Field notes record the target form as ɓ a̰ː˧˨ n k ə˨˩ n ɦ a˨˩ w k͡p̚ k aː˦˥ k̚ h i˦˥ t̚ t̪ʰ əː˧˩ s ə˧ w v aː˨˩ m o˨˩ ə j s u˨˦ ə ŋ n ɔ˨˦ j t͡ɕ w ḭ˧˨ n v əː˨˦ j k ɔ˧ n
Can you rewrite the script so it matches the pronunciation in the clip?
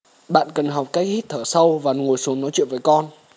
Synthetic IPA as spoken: ɓ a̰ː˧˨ n k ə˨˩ n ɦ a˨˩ w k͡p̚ k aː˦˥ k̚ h i˦˥ t̚ t̪ʰ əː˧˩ s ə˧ w v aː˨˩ ŋ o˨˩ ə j s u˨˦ ə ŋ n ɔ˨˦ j t͡ɕ w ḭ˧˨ n v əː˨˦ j k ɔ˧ n